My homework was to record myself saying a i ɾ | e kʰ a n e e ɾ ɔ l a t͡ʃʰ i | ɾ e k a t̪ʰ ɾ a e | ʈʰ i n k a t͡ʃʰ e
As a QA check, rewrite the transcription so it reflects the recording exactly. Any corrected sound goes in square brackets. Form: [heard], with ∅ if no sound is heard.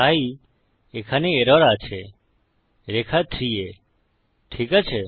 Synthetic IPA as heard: a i [∅] | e kʰ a n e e ɾ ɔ [ɾ] a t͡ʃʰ [e] | ɾ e [kʰ] a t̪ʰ ɾ [i] e | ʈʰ i [∅] k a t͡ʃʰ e